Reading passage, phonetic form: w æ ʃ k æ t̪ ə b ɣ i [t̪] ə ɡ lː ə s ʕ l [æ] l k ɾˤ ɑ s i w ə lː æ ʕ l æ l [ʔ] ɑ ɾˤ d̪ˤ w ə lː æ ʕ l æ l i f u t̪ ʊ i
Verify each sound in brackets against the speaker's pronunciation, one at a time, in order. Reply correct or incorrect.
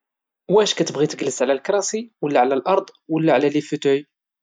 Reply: correct, correct, correct

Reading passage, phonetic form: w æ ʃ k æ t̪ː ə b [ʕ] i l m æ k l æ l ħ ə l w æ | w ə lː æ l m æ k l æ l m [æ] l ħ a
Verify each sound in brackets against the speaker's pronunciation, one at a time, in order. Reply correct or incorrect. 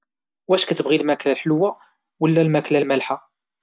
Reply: incorrect, correct

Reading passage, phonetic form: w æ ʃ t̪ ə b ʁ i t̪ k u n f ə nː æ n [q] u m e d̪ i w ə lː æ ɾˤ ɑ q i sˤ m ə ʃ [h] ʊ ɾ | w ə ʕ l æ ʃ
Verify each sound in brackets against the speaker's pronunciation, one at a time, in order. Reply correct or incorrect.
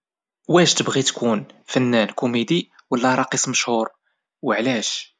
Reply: incorrect, correct

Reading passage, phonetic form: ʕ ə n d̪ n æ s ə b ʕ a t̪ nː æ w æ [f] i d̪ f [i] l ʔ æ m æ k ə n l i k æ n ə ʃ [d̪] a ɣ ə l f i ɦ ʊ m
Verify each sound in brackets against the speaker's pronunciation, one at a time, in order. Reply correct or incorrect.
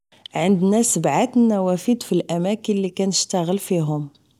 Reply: correct, correct, incorrect

